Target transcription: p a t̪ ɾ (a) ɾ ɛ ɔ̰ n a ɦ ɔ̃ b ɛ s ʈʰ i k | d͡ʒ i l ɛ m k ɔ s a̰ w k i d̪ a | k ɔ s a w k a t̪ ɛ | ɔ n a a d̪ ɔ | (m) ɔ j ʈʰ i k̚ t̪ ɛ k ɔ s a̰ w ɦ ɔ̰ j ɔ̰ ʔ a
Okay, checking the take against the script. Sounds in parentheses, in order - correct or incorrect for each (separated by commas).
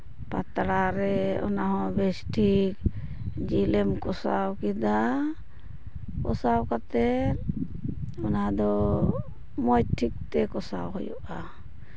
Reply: correct, correct